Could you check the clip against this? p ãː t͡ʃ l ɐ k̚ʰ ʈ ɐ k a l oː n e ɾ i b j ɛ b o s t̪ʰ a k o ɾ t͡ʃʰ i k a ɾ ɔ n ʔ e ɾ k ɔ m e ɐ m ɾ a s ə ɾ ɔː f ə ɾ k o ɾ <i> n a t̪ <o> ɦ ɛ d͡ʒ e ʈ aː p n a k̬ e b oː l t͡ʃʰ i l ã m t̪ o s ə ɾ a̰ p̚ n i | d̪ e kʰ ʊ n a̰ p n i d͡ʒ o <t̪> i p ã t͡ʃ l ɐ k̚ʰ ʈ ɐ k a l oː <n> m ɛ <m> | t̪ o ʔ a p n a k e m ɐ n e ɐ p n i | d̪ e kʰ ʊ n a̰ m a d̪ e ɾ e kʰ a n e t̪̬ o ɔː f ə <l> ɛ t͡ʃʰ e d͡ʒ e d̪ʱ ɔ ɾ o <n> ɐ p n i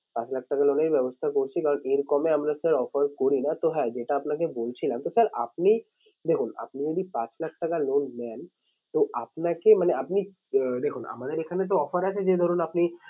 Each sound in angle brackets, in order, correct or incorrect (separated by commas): correct, correct, incorrect, correct, incorrect, incorrect, correct